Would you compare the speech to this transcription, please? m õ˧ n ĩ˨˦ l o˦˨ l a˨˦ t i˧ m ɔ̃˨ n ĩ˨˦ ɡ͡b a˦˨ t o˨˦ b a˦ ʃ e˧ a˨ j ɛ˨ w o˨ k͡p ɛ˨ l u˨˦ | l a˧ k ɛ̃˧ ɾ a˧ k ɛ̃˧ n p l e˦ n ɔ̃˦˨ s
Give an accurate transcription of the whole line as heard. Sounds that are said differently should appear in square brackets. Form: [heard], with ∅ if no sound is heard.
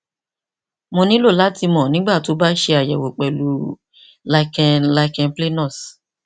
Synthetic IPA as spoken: m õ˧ n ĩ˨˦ l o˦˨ l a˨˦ t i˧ m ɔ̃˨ n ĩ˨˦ ɡ͡b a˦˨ t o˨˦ b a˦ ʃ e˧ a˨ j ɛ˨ w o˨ k͡p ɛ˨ l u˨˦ | l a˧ k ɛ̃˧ [l] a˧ k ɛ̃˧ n p l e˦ n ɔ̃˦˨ s